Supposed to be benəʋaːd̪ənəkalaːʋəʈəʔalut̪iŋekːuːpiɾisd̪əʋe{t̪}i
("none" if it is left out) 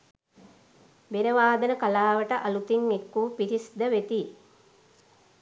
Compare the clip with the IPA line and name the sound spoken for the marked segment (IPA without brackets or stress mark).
t̪